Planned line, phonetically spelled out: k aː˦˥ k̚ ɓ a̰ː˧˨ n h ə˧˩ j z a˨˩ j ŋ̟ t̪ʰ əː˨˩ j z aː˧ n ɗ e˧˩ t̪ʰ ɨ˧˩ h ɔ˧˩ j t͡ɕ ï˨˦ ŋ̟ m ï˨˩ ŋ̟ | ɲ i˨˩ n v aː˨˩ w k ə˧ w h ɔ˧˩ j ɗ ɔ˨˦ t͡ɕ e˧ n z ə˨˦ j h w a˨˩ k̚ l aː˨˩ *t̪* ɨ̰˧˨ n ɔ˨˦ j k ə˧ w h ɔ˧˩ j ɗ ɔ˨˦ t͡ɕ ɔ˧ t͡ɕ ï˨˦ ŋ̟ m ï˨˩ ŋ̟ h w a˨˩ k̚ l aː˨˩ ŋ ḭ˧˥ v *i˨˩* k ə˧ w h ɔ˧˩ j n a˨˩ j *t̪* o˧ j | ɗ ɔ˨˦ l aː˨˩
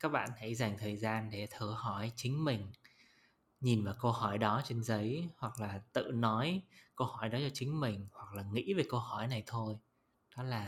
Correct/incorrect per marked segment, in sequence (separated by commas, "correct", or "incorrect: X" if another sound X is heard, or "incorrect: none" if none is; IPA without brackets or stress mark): correct, incorrect: e˨˩, incorrect: t̪ʰ